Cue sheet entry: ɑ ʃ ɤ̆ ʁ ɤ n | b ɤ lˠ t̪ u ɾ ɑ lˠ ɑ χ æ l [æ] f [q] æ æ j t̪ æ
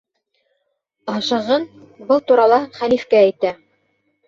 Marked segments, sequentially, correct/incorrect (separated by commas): incorrect, incorrect